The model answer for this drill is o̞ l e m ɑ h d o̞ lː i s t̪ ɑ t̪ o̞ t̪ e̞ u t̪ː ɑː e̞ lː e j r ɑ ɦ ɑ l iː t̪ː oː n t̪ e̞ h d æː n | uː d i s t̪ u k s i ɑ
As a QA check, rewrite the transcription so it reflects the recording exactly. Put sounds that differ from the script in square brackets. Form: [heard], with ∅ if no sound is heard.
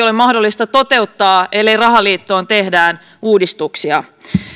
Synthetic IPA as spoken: o̞ l e m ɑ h d o̞ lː i s t̪ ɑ t̪ o̞ t̪ e̞ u t̪ː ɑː e̞ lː e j r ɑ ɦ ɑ l iː t̪ː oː n t̪ e̞ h d æː n | uː d i s t̪ u k s i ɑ